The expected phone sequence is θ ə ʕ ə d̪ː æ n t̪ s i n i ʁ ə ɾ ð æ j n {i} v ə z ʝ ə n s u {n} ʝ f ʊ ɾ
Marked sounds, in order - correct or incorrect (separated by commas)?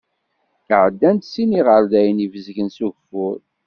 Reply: correct, incorrect